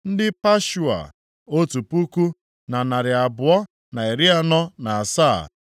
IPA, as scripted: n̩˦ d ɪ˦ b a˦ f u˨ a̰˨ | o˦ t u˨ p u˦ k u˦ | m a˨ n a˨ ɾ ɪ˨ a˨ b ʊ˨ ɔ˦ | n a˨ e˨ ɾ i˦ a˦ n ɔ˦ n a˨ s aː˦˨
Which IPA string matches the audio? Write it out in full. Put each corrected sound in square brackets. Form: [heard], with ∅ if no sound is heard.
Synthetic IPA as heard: n̩˦ d ɪ˦ [p] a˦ [ʃ] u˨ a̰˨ | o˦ t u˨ p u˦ k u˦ | [n] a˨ n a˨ ɾ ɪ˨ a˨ b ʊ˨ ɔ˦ | n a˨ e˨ ɾ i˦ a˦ n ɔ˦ n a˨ s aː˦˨